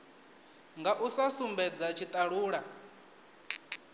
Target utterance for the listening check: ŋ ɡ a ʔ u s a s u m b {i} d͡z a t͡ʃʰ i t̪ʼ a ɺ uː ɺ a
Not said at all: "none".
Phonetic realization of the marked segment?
ɛ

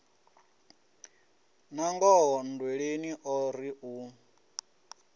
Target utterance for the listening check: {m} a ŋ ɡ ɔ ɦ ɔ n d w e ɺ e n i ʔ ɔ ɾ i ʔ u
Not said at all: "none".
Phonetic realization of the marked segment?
n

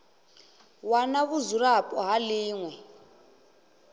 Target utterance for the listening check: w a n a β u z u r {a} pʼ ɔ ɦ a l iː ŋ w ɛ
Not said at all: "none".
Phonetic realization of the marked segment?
a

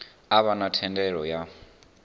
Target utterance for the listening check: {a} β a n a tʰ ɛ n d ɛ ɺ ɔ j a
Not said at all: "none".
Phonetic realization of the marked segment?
a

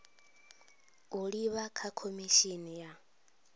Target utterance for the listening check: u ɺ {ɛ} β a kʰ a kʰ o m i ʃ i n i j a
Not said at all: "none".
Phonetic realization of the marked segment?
i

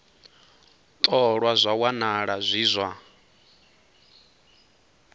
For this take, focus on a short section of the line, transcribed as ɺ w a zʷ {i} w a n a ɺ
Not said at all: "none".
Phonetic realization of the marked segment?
a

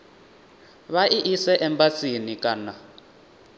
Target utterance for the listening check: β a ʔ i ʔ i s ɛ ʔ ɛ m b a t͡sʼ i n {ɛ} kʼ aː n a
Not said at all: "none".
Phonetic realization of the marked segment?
i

